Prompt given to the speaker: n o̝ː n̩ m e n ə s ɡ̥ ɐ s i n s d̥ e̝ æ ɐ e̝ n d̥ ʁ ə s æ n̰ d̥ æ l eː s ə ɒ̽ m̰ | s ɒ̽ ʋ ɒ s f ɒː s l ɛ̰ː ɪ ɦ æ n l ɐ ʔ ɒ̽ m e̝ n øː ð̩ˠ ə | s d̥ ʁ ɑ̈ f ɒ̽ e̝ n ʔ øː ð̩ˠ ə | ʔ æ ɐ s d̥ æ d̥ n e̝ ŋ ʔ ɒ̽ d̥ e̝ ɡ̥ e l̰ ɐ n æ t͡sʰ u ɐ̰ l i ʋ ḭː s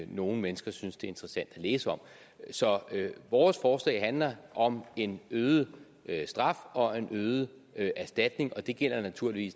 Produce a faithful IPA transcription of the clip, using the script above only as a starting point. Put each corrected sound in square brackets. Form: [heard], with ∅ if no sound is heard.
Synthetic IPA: n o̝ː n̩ m e n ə s ɡ̥ ɐ s [y] n s d̥ e̝ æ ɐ e̝ n d̥ ʁ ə s æ n̰ d̥ æ l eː s ə ɒ̽ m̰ | s ɒ̽ ʋ [ɒː] s f ɒː s l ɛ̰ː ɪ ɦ æ n l ɐ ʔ ɒ̽ m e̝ n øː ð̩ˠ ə | s d̥ ʁ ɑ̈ f ɒ̽ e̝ n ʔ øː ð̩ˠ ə | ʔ æ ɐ s d̥ æ d̥ n e̝ ŋ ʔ ɒ̽ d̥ e̝ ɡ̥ e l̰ ɐ n æ t͡sʰ u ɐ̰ l i ʋ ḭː s